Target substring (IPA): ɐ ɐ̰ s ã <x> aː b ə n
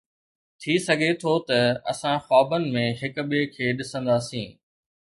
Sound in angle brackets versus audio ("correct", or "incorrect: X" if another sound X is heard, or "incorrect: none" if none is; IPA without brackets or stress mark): correct